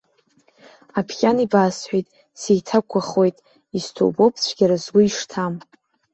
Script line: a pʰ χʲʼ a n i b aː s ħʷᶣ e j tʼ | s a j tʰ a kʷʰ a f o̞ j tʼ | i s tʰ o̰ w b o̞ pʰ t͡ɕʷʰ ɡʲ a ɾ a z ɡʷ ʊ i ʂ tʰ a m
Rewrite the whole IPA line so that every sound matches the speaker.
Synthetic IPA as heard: a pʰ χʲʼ a n i b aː s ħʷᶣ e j tʼ | s e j tʰ a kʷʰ a χ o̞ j tʼ | i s tʰ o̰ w b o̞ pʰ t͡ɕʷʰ ɡʲ a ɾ a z ɡʷ ʊ i ʂ tʰ a m